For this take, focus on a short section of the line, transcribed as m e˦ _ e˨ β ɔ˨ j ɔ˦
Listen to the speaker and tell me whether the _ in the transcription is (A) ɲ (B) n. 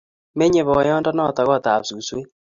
A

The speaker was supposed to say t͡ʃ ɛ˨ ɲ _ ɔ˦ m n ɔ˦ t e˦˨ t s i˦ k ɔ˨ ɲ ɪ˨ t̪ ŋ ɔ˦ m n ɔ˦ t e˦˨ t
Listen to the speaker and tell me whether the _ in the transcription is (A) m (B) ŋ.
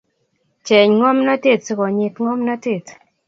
B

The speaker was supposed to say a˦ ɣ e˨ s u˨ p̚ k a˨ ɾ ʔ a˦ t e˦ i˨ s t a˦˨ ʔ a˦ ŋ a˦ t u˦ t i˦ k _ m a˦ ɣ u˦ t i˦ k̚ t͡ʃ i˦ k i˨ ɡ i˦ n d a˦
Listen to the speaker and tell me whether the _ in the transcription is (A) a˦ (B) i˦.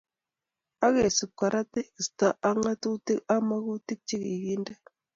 A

